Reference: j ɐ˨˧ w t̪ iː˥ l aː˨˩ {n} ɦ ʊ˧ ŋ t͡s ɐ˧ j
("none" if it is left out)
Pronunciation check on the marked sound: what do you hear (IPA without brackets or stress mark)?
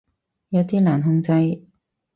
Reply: n